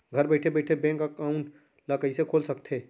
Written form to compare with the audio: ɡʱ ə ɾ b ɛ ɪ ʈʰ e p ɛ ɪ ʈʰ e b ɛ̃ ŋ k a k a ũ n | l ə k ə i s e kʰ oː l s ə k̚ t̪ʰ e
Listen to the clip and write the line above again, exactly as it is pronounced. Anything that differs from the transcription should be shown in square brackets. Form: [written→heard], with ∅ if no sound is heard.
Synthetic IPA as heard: ɡʱ ə ɾ b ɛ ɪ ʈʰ e [p→b] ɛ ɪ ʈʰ e b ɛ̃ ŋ k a k a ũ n | l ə k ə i s e kʰ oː l s ə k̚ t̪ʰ e